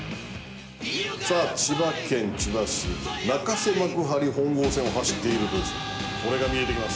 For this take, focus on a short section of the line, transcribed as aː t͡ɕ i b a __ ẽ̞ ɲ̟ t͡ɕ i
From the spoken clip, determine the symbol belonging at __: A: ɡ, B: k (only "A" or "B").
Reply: B